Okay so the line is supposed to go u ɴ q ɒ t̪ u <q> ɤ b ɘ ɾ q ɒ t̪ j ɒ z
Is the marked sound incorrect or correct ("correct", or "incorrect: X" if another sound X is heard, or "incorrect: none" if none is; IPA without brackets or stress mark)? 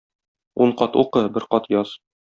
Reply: correct